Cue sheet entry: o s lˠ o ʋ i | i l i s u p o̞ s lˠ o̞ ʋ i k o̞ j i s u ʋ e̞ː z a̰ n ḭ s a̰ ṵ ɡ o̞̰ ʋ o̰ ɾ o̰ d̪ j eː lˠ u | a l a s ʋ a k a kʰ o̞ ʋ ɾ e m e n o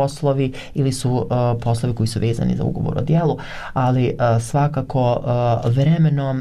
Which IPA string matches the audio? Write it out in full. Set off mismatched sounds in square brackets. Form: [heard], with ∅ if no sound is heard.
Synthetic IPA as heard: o s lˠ o ʋ i | i l i s u p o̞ s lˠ o̞ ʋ i k o̞ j i s u ʋ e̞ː z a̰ n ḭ [z] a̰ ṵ ɡ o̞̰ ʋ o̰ ɾ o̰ d̪ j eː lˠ u | a l [i] s ʋ a k a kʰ o̞ ʋ ɾ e m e n o